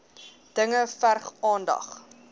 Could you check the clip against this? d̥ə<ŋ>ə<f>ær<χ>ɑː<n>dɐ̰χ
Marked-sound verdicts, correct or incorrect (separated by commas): correct, correct, correct, correct